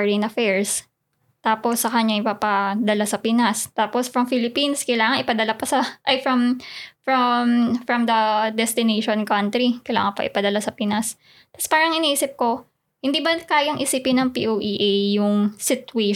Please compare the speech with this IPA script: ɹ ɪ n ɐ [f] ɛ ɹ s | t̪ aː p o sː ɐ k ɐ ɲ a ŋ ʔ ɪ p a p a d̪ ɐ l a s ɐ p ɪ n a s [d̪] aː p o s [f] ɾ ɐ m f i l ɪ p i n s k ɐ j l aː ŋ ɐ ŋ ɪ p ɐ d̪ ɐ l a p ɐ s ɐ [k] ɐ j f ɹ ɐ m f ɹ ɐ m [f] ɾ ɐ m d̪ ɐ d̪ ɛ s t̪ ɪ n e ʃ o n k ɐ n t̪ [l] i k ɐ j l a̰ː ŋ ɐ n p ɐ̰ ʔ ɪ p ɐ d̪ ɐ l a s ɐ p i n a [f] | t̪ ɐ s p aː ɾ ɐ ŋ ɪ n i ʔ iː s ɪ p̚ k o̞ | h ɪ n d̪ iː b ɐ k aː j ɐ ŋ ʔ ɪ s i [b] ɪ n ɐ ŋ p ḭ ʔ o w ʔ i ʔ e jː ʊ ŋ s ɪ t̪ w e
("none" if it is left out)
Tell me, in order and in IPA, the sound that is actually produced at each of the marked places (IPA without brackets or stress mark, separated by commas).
f, t̪, f, ʔ, f, ɾ, s, p